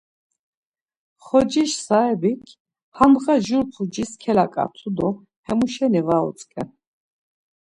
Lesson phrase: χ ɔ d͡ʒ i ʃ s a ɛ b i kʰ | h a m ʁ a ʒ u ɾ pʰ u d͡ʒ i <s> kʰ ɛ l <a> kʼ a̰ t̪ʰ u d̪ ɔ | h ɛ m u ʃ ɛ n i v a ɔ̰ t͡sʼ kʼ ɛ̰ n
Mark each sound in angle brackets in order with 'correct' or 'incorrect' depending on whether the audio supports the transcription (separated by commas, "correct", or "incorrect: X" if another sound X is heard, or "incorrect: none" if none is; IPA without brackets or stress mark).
correct, correct